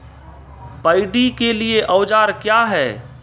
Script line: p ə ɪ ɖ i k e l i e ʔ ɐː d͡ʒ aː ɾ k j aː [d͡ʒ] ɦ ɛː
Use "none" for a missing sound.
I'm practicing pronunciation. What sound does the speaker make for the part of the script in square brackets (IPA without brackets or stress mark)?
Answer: none